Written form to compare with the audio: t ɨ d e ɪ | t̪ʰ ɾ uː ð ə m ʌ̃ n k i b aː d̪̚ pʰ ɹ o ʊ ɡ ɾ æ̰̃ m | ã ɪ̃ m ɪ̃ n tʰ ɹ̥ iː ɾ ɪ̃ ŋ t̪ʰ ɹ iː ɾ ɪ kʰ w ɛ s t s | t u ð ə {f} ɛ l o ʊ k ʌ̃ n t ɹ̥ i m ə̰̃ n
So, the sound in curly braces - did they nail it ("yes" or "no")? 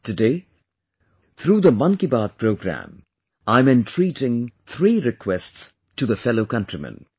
yes